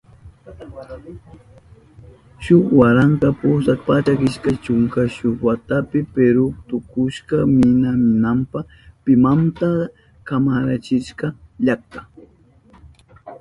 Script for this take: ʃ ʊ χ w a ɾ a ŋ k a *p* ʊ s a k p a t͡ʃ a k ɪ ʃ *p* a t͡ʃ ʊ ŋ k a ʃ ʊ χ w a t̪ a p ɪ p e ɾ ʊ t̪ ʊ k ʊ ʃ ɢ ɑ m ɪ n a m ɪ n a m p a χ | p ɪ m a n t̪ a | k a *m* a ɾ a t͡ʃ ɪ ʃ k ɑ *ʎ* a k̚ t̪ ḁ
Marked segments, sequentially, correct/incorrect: correct, incorrect, correct, correct

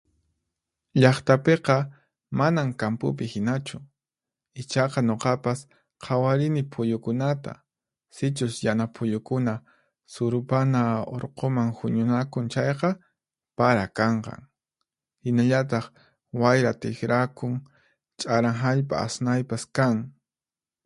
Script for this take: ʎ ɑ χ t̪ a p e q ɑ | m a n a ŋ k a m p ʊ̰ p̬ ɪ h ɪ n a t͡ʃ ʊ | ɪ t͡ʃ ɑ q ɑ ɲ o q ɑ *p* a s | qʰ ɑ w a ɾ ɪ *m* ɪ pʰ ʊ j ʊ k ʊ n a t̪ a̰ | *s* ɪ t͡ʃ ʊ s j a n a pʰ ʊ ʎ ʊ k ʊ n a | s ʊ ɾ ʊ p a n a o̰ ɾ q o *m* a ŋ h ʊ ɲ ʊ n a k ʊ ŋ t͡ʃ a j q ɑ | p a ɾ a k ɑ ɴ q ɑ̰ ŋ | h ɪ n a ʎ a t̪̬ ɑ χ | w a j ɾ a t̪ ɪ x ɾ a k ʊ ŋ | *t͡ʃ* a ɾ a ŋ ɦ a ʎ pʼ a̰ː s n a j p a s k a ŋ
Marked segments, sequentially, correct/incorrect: correct, incorrect, correct, correct, incorrect

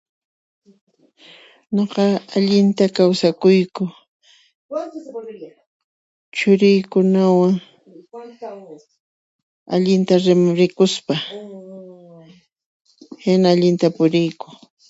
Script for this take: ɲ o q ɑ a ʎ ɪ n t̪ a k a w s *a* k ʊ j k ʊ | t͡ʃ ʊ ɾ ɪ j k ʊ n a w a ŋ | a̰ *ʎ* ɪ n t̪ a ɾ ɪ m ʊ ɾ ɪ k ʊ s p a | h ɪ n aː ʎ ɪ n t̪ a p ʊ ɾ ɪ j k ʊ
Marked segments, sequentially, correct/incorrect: correct, correct

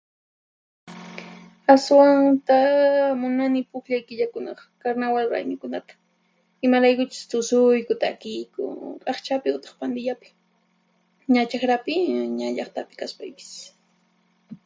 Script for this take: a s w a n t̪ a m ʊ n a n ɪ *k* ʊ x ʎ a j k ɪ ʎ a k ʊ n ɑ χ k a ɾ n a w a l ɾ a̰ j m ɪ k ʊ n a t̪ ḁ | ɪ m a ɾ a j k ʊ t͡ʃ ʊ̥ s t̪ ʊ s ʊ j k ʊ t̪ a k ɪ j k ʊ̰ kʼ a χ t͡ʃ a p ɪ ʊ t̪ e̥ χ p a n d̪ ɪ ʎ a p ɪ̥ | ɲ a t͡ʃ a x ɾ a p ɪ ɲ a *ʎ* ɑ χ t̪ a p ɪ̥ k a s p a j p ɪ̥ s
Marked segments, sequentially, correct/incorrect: incorrect, correct

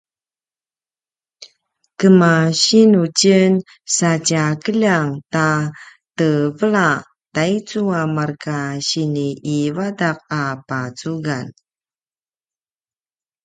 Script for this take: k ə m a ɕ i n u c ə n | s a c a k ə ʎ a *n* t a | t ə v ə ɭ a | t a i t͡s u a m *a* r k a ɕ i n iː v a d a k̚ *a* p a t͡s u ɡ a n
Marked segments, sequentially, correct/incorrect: incorrect, correct, correct

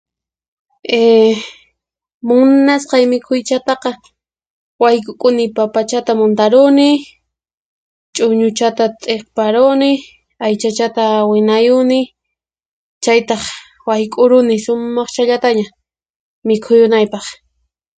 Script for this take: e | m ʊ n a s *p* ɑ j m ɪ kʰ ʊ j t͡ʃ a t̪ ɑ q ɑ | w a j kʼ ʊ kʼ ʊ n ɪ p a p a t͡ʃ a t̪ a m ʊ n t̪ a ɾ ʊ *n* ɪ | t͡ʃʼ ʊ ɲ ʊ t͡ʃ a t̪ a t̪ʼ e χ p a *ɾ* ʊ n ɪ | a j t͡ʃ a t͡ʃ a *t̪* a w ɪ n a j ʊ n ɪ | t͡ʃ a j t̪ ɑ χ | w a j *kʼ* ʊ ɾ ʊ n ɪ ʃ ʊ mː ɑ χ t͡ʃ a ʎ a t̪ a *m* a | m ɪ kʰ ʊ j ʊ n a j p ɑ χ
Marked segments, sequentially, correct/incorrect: incorrect, correct, correct, correct, correct, incorrect

